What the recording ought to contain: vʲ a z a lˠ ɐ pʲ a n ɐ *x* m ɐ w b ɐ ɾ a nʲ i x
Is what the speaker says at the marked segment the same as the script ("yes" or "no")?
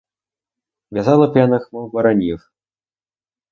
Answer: yes